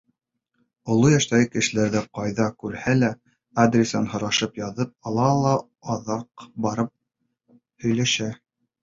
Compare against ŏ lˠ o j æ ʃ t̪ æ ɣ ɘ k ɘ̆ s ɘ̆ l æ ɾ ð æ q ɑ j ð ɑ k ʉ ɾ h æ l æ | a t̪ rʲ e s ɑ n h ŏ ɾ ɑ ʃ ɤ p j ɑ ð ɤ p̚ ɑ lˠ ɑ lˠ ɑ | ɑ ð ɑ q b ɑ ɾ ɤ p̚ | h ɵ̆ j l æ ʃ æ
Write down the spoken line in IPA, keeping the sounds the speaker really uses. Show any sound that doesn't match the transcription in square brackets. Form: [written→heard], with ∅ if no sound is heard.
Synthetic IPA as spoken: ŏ lˠ o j æ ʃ t̪ æ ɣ ɘ k ɘ̆ [s→ʃ] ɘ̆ l æ ɾ ð æ q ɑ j ð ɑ k ʉ ɾ h æ l æ | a [t̪→d̪] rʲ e s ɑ n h ŏ ɾ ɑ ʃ ɤ p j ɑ ð ɤ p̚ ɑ lˠ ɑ lˠ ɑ | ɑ ð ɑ q b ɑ ɾ ɤ p̚ | h ɵ̆ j l æ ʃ æ

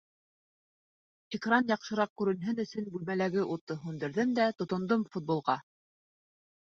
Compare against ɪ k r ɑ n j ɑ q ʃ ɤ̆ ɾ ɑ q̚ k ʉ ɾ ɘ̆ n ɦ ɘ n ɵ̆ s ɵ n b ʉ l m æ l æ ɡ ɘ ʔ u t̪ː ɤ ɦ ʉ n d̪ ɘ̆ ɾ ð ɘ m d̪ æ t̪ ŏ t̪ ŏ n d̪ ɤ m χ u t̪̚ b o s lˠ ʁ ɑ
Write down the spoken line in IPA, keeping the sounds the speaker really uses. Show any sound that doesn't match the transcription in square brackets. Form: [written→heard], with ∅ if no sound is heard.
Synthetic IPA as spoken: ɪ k r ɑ n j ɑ q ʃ ɤ̆ ɾ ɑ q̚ k ʉ ɾ ɘ̆ n ɦ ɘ n ɵ̆ s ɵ n b ʉ l m æ l æ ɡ ɘ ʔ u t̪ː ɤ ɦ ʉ n d̪ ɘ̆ ɾ ð ɘ m d̪ æ t̪ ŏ t̪ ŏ n d̪ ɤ m [χ→f] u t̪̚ b o [s→∅] lˠ ʁ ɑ

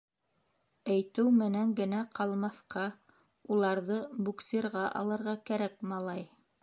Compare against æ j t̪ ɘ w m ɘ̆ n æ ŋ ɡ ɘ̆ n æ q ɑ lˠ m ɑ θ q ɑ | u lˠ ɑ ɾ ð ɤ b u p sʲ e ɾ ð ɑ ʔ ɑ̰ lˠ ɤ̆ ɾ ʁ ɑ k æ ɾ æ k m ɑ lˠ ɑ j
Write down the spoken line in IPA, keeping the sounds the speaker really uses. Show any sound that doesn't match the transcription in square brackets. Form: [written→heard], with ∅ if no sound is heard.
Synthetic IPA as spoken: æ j t̪ ɘ w m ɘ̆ n æ ŋ ɡ ɘ̆ n æ q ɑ lˠ m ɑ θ q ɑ | u lˠ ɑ ɾ ð ɤ b u [p→k] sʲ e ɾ [ð→ʁ] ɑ ʔ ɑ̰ lˠ ɤ̆ ɾ ʁ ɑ k æ ɾ æ k m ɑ lˠ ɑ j

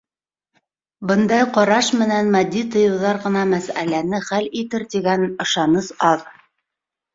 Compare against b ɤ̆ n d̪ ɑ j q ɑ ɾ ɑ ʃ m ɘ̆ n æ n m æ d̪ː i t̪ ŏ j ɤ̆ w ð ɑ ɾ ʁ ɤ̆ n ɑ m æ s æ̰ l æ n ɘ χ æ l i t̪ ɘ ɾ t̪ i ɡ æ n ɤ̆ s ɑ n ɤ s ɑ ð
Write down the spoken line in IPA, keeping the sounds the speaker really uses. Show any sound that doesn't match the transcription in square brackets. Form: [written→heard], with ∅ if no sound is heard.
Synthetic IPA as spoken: b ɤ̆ n d̪ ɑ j q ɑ ɾ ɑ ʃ m ɘ̆ n æ n m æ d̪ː i t̪ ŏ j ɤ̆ w ð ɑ ɾ ʁ ɤ̆ n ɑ m æ s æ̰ l æ n ɘ χ æ l i t̪ ɘ ɾ t̪ i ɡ æ n ɤ̆ [s→ʃ] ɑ n ɤ s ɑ ð

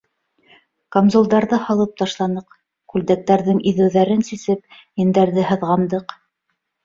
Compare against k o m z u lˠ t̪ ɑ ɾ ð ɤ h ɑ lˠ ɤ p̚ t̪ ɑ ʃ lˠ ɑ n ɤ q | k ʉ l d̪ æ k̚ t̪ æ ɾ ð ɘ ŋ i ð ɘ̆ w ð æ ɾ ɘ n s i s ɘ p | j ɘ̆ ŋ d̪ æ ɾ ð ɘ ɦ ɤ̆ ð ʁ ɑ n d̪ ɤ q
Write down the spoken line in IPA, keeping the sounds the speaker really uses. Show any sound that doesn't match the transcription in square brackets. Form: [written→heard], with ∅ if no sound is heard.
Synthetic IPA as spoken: k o m z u lˠ [t̪→d̪] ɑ ɾ ð ɤ h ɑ lˠ ɤ p̚ t̪ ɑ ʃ lˠ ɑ n ɤ q | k ʉ l d̪ æ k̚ t̪ æ ɾ ð ɘ ŋ i ð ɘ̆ w ð æ ɾ ɘ n s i s ɘ p | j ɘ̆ [ŋ→n] d̪ æ ɾ ð ɘ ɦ ɤ̆ ð ʁ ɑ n d̪ ɤ q

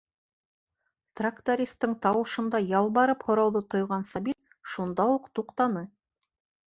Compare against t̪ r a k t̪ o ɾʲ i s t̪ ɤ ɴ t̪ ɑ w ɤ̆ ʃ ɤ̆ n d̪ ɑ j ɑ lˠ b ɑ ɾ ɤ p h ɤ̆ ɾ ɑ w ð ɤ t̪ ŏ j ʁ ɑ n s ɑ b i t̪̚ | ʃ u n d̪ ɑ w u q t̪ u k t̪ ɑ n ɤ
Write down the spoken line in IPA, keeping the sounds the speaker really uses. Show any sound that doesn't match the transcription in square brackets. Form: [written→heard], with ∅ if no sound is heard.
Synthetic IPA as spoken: t̪ r a k t̪ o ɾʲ i s t̪ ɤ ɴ t̪ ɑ w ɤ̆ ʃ ɤ̆ n d̪ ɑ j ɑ lˠ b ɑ ɾ ɤ p h [ɤ̆→ŏ] ɾ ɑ w ð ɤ t̪ ŏ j ʁ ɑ n s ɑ b i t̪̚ | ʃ u n d̪ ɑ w u q t̪ u [k→q] t̪ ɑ n ɤ

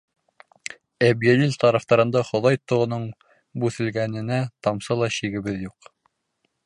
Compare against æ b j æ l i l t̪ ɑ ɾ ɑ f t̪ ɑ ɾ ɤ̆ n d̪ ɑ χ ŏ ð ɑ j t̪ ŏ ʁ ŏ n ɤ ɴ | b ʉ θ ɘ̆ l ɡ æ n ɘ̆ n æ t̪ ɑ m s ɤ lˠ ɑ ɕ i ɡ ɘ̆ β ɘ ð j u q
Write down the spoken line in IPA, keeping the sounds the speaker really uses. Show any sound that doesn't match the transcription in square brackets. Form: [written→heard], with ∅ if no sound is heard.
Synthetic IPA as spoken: æ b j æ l i l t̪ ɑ ɾ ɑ f t̪ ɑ ɾ ɤ̆ n d̪ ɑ χ ŏ ð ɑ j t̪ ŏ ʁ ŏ n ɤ ɴ | b ʉ θ ɘ̆ l ɡ æ n ɘ̆ n æ t̪ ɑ m s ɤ lˠ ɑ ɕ i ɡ ɘ̆ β ɘ ð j u q

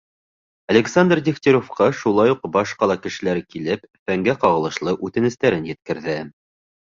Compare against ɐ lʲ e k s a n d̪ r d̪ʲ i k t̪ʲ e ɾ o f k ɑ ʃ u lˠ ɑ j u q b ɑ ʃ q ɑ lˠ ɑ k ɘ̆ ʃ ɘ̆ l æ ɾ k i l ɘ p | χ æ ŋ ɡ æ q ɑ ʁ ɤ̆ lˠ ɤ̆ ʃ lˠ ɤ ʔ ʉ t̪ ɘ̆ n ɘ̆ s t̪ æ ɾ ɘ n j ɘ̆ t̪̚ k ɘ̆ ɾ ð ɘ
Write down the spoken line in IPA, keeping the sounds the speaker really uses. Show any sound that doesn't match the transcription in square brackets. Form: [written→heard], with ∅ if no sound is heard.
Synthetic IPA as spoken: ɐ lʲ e k s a n d̪ r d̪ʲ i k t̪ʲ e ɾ o f [k→q] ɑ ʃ u lˠ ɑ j u q b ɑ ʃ q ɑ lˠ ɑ k ɘ̆ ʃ ɘ̆ l æ ɾ k i l ɘ p | [χ→f] æ ŋ ɡ æ q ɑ ʁ ɤ̆ lˠ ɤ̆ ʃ lˠ ɤ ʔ ʉ t̪ ɘ̆ n ɘ̆ s t̪ æ ɾ ɘ n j ɘ̆ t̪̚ k ɘ̆ ɾ ð ɘ

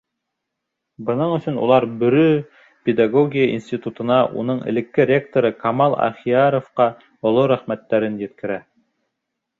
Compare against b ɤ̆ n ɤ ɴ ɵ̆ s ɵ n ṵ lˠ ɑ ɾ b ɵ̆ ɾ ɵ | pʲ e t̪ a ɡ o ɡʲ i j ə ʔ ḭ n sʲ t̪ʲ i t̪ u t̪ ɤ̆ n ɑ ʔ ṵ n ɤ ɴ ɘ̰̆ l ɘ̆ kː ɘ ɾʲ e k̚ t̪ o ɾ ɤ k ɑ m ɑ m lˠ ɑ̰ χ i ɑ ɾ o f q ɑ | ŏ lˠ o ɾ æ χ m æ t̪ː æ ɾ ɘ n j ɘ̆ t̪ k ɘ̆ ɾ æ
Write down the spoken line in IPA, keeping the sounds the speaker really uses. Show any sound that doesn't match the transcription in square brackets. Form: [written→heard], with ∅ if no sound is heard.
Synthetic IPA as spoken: b ɤ̆ n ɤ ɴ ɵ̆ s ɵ n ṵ lˠ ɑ ɾ b ɵ̆ ɾ ɵ | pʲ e [t̪→d̪] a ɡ o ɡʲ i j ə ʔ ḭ n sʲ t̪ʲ i t̪ u t̪ ɤ̆ n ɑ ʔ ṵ n ɤ ɴ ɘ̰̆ l ɘ̆ kː ɘ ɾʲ e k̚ t̪ o ɾ ɤ k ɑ m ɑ [m→∅] lˠ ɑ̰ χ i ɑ ɾ o f q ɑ | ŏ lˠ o ɾ æ χ m æ t̪ː æ ɾ ɘ n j ɘ̆ t̪ k ɘ̆ ɾ æ

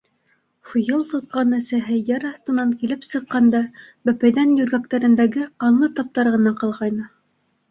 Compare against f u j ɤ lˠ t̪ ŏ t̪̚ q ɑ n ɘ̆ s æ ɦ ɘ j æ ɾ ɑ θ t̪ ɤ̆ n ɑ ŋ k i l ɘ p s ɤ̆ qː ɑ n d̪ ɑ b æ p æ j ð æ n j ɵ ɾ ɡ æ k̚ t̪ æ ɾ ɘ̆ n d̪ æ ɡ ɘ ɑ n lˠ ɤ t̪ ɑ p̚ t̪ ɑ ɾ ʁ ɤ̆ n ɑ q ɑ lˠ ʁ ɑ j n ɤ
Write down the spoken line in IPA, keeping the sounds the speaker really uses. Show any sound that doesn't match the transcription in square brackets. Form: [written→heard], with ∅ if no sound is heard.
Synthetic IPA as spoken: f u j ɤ lˠ t̪ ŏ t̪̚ q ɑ n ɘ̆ s æ ɦ ɘ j æ ɾ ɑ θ t̪ ɤ̆ n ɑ ŋ k i l ɘ p s ɤ̆ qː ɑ n d̪ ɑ b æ p æ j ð æ n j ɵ ɾ ɡ æ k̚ t̪ æ ɾ ɘ̆ n d̪ æ ɡ ɘ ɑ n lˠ ɤ t̪ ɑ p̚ t̪ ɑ ɾ ʁ ɤ̆ n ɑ q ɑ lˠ ʁ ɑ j n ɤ

